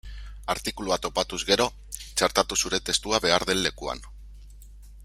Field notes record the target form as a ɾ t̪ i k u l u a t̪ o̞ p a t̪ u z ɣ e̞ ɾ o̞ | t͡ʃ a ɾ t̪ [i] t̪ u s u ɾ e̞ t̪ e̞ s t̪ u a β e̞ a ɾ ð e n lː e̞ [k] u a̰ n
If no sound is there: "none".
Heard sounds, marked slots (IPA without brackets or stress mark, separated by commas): a, k